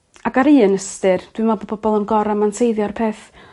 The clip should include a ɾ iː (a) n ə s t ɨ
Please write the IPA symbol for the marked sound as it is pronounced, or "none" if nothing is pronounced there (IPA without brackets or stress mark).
ə